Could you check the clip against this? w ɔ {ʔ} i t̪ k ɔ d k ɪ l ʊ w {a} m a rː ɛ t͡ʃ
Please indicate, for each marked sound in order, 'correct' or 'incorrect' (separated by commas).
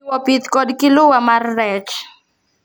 incorrect, correct